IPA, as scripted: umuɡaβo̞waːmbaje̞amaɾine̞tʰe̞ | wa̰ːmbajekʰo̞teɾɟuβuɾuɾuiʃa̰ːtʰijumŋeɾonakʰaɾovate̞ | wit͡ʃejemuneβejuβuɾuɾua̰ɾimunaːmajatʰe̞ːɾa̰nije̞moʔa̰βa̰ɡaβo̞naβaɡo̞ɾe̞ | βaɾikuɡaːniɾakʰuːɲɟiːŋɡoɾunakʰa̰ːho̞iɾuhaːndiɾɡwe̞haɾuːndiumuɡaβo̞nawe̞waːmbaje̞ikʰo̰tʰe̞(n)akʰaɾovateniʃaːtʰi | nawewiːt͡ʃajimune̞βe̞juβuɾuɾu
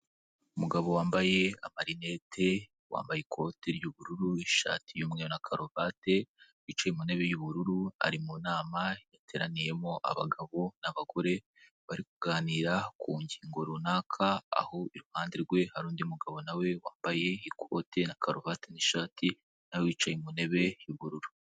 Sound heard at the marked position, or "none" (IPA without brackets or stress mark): n